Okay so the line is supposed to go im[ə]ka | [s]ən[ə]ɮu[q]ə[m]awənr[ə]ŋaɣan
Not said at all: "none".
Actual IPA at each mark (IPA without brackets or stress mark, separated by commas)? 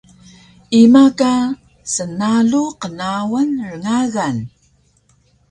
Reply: a, s, a, q, n, ə